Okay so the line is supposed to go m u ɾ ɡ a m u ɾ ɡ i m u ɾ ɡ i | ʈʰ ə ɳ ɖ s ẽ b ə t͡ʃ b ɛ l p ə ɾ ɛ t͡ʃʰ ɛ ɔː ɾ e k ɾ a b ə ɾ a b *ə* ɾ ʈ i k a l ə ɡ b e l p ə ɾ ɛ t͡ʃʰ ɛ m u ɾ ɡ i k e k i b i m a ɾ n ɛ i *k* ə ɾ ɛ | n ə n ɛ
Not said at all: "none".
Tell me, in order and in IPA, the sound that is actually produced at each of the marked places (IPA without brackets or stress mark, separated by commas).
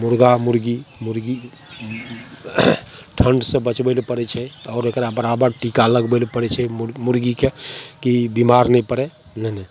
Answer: ə, p